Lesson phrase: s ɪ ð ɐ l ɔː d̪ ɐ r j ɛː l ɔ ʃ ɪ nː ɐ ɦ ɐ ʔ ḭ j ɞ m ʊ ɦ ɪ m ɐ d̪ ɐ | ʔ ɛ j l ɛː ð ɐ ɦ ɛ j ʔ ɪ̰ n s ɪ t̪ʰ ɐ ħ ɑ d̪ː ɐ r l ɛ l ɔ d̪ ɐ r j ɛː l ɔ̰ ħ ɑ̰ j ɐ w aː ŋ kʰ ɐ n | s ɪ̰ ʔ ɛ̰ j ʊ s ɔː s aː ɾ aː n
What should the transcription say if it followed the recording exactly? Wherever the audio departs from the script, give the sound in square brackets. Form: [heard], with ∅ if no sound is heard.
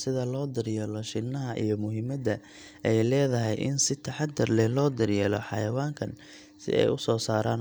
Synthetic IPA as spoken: s ɪ ð ɐ l ɔː d̪ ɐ r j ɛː l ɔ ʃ ɪ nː ɐ ɦ ɐ ʔ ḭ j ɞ m ʊ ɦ ɪ m ɐ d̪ ɐ | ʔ ɛ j l ɛː ð ɐ ɦ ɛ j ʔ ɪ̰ n s ɪ t̪ʰ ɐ ħ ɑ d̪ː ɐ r l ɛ l [ɔː] d̪ ɐ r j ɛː l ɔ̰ ħ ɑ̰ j ɐ w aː ŋ kʰ ɐ n | s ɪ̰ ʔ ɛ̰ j ʊ s ɔː s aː ɾ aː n